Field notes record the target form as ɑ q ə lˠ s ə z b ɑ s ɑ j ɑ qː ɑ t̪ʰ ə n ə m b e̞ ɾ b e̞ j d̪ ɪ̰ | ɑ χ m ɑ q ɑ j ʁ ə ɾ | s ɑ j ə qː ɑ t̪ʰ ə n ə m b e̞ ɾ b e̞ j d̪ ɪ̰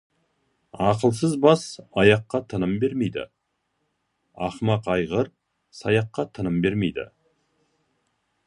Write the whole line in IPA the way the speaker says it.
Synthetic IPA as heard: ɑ q ə lˠ s ə z b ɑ s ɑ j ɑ qː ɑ t̪ʰ ə n ə m b e̞ ɾ m e̞ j d̪ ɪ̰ | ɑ χ m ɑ q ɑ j ʁ ə ɾ | s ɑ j ɑ qː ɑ t̪ʰ ə n ə m b e̞ ɾ m e̞ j d̪ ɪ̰